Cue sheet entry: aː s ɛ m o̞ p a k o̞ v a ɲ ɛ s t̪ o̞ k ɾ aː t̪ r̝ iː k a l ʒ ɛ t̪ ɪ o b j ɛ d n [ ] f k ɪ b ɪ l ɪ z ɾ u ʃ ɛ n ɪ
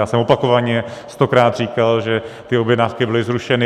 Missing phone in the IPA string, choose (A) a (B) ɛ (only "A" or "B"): A